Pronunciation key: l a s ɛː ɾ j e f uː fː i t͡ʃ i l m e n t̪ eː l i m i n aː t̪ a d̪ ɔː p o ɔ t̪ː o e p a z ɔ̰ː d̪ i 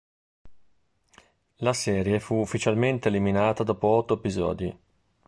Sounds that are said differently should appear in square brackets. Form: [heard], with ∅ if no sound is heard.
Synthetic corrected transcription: l a s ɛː ɾ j e f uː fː i t͡ʃ [a] l m e n t̪ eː l i m i n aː t̪ a d̪ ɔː p o ɔ t̪ː o e p [i] z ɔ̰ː d̪ i